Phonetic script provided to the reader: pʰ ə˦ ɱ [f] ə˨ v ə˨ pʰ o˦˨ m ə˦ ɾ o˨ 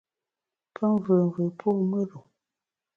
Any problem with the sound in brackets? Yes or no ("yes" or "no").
yes